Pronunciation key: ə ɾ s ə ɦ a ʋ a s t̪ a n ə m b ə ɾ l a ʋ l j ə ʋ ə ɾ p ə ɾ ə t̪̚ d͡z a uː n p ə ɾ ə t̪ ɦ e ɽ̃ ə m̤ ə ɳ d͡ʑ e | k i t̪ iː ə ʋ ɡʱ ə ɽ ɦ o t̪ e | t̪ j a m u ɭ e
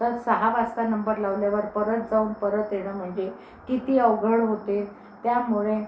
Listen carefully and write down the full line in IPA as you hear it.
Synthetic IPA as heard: ə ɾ s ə ɦ a ʋ a s t̪ a n ə m b ə ɾ l a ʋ l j a ʋ ə ɾ p ə ɾ ə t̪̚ d͡z a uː n p ə ɾ ə t̪ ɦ e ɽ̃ ə m̤ ə ɳ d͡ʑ e | k i t̪ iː ə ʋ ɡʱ ə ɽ ɦ o t̪ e | t̪ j a m u ɭ e